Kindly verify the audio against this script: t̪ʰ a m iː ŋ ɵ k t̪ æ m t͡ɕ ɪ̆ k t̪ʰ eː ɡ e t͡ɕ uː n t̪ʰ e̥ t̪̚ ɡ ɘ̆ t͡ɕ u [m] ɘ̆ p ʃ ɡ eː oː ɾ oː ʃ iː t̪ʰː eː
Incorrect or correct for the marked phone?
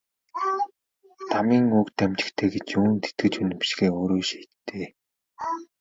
incorrect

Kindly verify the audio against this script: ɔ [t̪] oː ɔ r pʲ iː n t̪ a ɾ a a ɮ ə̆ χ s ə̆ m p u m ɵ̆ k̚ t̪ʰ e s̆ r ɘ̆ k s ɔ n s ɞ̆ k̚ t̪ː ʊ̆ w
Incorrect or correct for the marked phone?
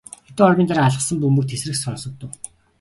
correct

